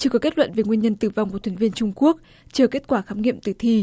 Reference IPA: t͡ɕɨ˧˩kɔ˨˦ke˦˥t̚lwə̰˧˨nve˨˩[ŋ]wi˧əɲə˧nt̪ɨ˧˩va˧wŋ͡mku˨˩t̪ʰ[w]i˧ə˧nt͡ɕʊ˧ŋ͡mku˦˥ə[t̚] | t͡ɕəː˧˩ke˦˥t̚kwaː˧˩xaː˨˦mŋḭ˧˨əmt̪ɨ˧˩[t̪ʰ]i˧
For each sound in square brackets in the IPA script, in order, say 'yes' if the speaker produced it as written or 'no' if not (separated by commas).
yes, no, no, yes